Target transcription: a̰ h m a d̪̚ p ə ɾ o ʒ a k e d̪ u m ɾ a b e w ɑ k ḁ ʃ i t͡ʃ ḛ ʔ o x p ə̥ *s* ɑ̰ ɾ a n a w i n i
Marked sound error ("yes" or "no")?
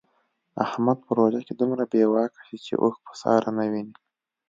no